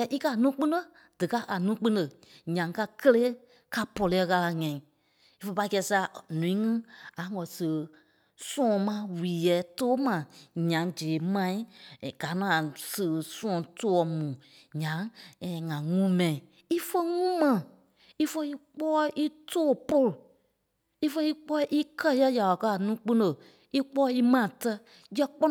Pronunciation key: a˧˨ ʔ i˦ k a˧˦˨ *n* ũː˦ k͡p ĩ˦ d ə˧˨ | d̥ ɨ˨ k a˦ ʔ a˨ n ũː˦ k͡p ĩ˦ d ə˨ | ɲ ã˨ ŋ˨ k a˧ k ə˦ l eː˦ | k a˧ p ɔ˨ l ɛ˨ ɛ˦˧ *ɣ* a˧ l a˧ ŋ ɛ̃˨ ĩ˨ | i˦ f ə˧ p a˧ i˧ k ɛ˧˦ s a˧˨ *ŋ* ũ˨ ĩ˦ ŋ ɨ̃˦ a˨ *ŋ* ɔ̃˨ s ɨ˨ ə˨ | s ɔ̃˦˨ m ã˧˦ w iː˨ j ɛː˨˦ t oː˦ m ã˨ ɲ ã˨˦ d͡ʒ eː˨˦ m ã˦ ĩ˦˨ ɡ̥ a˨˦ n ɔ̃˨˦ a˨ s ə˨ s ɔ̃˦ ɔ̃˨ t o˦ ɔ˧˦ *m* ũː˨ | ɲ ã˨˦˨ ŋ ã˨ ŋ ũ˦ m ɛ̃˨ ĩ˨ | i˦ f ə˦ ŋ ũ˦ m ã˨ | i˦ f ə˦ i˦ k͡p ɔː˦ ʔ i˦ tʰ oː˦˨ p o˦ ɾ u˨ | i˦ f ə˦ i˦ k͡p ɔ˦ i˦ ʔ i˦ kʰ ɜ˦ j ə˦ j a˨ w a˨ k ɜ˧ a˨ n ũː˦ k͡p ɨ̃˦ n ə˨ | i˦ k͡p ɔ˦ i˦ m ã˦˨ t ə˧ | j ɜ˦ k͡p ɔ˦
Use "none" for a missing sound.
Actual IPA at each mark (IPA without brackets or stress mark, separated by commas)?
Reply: n, ɣ, n, ŋ, m